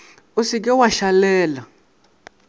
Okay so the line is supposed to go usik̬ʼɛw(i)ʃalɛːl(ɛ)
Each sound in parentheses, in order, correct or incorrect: incorrect: a, incorrect: a

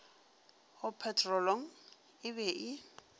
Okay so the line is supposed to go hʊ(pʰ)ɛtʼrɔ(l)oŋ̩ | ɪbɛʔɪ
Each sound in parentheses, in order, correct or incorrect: correct, correct

